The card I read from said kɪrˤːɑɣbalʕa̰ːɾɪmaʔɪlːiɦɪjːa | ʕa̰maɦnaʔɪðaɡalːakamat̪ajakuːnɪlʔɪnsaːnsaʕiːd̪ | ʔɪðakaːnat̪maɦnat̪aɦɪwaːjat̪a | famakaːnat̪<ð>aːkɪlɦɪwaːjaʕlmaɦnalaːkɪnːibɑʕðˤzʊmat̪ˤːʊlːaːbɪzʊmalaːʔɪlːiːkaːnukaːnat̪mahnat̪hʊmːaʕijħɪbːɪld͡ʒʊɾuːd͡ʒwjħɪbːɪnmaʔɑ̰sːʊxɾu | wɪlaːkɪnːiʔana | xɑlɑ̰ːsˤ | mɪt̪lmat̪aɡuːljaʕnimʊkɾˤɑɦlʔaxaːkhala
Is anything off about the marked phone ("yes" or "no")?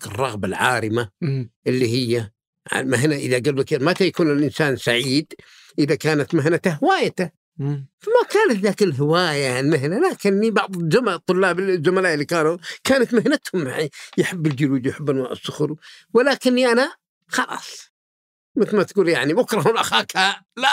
no